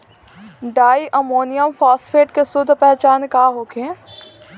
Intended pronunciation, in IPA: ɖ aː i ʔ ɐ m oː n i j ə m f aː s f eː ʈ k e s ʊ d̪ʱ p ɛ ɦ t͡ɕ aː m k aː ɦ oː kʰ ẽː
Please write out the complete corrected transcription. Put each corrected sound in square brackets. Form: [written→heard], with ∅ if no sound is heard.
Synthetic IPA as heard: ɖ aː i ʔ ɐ m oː n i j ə m f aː s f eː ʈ k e s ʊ d̪ʱ p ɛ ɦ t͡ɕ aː [m→n] k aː ɦ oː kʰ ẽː